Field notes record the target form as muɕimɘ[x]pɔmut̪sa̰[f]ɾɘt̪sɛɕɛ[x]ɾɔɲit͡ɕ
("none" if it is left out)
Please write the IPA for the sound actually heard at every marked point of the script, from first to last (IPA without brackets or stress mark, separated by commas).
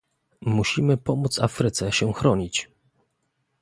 none, f, x